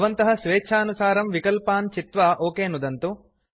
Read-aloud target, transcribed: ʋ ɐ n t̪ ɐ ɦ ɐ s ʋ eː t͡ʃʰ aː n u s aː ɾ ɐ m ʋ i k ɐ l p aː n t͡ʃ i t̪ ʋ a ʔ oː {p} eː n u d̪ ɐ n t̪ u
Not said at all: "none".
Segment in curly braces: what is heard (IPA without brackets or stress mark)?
k